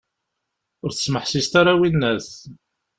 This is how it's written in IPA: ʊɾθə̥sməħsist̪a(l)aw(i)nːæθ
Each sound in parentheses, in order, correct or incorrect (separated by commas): incorrect, correct